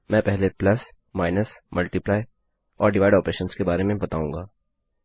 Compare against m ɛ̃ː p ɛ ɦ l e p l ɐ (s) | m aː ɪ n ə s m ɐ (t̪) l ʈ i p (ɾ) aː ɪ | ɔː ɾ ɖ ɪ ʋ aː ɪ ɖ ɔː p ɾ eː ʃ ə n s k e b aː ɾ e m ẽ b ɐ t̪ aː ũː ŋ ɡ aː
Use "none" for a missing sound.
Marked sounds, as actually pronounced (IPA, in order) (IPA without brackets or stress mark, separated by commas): s, none, l